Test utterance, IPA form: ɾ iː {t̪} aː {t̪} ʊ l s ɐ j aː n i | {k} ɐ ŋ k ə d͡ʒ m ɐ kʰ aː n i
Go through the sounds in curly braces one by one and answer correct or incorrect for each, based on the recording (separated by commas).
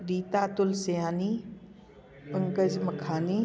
correct, correct, incorrect